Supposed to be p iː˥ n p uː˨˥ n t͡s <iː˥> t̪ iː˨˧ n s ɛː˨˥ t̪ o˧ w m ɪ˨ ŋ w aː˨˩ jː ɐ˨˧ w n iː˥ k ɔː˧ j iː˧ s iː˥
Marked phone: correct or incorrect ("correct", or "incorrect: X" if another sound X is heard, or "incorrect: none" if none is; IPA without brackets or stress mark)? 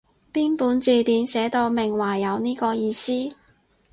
incorrect: iː˧